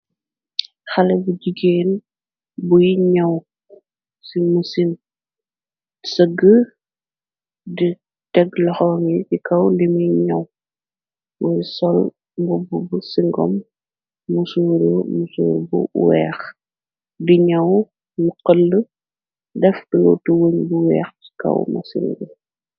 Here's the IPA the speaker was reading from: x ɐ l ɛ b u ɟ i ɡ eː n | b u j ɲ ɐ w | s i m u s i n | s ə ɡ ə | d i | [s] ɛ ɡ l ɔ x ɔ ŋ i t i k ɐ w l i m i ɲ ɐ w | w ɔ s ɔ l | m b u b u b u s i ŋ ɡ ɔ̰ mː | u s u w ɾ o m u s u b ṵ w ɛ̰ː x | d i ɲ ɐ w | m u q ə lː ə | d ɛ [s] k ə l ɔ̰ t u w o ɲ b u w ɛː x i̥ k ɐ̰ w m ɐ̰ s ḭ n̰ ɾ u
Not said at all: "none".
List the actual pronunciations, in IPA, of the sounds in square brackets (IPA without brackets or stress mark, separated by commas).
t, f